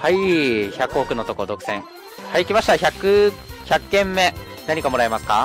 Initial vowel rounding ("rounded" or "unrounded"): unrounded